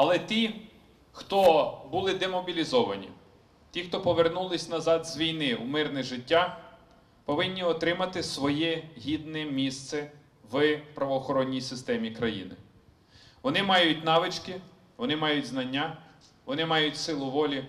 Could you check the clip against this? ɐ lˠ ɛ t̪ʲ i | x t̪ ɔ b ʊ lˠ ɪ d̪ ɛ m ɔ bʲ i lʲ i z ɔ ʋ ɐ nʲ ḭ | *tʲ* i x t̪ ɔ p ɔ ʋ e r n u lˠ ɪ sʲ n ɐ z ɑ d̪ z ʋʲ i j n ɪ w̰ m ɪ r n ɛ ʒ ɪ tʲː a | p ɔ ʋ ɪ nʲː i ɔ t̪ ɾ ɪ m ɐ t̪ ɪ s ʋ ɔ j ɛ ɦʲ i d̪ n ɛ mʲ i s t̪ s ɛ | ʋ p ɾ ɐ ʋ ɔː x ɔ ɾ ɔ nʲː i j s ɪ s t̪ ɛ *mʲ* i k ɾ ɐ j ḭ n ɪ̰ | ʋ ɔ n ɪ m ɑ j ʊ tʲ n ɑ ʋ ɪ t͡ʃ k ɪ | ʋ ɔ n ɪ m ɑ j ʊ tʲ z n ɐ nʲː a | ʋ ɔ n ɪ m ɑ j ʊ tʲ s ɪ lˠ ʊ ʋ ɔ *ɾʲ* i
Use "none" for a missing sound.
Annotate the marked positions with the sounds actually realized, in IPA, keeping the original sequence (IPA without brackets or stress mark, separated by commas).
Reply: tʲ, mʲ, lʲ